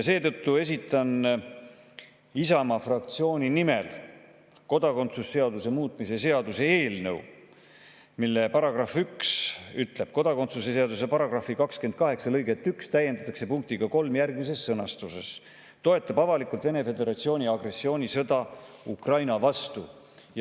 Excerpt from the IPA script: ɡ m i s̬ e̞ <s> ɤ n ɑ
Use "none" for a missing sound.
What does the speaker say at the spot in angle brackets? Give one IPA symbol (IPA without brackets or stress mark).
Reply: sː